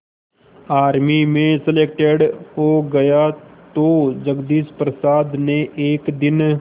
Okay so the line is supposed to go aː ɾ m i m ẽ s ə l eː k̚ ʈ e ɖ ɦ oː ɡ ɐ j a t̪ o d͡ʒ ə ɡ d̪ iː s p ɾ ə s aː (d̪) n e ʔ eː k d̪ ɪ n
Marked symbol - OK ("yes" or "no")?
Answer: yes